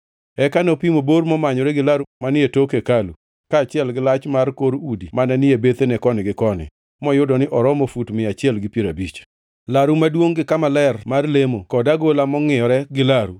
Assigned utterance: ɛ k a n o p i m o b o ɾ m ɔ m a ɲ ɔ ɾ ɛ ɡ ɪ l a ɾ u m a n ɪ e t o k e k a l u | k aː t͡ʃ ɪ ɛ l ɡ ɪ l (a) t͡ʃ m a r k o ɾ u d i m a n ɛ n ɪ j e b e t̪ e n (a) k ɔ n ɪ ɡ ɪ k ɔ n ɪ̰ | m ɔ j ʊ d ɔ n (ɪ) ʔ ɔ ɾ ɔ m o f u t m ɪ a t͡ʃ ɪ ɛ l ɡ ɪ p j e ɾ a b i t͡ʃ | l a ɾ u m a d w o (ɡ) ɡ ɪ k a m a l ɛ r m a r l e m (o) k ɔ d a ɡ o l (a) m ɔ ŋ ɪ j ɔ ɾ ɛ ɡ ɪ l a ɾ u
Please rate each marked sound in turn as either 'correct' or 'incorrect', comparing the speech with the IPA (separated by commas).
correct, incorrect, correct, incorrect, correct, correct